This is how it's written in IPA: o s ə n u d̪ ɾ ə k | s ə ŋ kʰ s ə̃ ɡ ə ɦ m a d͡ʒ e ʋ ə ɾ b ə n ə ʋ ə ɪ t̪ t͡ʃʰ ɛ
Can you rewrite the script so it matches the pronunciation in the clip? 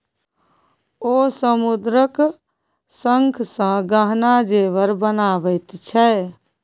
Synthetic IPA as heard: o s ə m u d̪ ɾ ə k | s ə ŋ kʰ s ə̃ ɡ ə ɦ n a d͡ʒ e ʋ ə ɾ b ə n a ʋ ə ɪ t̪ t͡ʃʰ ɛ